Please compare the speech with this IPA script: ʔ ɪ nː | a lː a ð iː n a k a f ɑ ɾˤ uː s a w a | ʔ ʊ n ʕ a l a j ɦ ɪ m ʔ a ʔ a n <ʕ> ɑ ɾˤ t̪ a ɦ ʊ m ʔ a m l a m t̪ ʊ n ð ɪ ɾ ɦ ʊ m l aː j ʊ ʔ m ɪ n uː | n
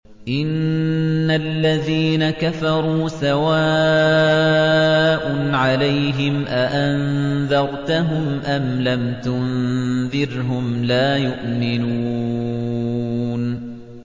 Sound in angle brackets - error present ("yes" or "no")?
yes